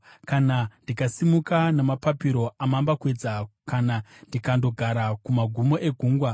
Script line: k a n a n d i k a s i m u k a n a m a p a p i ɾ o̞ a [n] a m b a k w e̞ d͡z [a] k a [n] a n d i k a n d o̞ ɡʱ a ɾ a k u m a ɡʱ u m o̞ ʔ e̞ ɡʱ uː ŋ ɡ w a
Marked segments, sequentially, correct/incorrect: incorrect, correct, correct

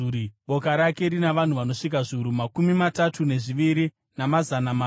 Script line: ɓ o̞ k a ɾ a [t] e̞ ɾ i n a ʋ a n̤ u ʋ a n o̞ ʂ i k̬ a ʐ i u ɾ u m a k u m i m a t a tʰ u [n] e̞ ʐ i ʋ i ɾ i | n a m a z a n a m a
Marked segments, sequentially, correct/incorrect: incorrect, correct

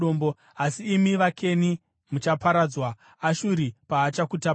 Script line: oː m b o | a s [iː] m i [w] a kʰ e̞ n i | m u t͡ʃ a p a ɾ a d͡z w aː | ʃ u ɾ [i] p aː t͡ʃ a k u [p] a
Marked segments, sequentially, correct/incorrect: correct, incorrect, correct, incorrect

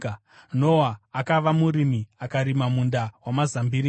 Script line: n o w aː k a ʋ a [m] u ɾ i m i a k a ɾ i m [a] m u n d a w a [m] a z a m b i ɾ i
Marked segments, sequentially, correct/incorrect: correct, correct, correct

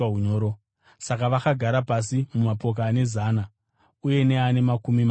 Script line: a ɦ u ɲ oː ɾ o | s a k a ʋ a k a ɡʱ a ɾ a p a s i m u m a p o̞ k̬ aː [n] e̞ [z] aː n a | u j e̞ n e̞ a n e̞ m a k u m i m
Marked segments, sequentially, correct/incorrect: correct, correct

